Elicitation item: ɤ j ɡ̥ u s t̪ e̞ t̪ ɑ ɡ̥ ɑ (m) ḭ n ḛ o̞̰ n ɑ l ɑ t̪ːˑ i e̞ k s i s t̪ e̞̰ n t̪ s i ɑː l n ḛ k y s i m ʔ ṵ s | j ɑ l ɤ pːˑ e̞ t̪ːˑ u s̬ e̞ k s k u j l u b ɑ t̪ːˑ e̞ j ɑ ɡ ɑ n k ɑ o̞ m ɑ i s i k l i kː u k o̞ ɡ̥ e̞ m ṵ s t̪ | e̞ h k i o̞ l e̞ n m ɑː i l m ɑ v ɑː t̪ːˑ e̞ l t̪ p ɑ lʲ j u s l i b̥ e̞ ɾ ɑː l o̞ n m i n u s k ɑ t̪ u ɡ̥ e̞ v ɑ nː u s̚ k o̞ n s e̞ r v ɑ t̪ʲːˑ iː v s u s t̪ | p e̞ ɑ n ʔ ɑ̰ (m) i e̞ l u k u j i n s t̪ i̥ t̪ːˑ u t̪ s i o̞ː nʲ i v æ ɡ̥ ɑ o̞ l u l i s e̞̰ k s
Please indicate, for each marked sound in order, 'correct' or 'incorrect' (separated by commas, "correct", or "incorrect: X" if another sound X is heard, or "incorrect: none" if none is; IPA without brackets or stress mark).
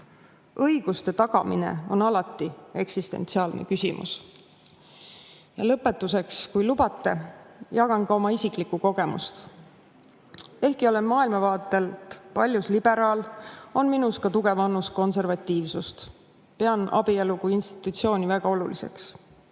correct, incorrect: b